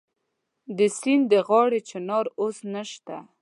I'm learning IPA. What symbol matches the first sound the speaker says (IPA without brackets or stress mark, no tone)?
d̪